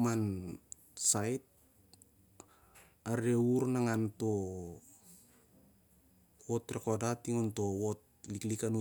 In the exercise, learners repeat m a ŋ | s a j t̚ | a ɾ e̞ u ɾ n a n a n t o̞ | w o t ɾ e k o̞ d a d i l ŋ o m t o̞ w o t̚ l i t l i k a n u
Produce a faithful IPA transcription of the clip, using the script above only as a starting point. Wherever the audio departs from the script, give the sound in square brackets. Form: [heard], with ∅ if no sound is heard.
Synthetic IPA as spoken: m a [n] | s a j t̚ | a ɾ e̞ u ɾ n a [ŋ] a n t o̞ | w o t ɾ e k o̞ d a [t] i [∅] ŋ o [n] t o̞ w o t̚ l i [k] l i k a n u